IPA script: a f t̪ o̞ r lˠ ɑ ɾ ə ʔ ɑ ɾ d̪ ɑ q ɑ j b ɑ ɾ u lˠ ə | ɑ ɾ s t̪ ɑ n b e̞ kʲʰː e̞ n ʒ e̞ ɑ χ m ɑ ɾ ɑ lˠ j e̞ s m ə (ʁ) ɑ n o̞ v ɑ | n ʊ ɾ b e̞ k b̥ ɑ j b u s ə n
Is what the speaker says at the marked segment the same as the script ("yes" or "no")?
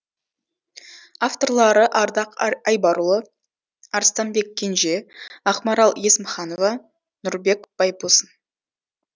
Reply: no